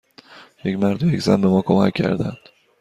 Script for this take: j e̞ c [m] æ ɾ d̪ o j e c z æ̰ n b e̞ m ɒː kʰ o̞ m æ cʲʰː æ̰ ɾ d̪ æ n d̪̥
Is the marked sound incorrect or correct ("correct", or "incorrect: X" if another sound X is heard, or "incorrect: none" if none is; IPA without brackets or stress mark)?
correct